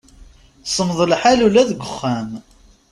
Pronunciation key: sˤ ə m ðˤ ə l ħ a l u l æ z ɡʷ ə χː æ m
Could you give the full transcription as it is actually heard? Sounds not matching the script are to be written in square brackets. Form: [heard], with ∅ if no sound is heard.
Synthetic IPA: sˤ ə m ðˤ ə l ħ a l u l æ [ð] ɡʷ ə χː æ m